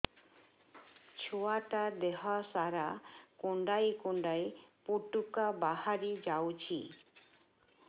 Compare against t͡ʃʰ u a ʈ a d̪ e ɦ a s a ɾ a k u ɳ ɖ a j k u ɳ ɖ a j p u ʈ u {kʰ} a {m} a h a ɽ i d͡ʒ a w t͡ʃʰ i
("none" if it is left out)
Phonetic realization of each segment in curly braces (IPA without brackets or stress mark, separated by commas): k, b